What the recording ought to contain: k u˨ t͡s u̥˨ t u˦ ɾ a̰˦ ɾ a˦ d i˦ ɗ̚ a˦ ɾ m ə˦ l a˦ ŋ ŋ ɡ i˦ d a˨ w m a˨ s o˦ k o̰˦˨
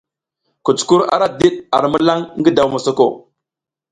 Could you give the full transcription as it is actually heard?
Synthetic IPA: k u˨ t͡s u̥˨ k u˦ ɾ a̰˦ ɾ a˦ d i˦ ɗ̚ a˨ ɾ m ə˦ l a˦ ŋ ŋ ɡ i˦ d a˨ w m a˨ s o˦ k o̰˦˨